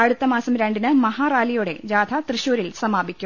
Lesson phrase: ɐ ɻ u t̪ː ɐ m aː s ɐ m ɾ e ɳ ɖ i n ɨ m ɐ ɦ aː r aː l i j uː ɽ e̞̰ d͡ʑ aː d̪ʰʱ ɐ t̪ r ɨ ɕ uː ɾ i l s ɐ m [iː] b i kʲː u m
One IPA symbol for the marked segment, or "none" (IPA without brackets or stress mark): aː